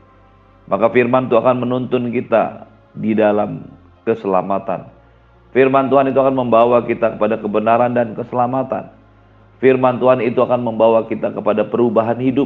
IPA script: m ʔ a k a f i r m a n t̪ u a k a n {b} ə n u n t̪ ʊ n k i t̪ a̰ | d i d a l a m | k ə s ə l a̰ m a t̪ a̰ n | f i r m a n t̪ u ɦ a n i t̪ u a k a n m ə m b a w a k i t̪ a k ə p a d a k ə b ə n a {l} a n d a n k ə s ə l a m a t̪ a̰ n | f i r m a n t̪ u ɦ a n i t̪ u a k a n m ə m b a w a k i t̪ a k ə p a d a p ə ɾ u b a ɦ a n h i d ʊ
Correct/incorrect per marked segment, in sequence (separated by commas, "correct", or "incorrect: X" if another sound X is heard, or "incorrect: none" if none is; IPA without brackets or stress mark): incorrect: m, incorrect: ɾ